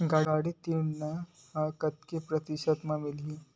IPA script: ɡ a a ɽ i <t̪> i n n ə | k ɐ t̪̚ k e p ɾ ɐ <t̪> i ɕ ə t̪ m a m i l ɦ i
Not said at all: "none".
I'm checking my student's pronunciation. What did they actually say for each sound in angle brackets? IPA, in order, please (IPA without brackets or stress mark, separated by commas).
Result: t̪, t̪